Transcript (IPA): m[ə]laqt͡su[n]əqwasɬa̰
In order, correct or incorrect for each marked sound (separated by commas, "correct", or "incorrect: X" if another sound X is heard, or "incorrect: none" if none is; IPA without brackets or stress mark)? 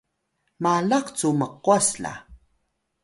incorrect: a, incorrect: m